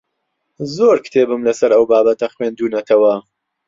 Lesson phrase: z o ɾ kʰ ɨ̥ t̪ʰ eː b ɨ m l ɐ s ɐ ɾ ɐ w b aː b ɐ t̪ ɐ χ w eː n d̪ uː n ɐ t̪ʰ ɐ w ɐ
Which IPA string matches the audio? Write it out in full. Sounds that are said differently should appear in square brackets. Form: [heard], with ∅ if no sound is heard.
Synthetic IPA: z o ɾ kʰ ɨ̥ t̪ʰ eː b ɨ m l ɐ s ɐ ɾ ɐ w b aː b ɐ t̪ ɐ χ w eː n d̪ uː n ɐ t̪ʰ ɐ w ɐ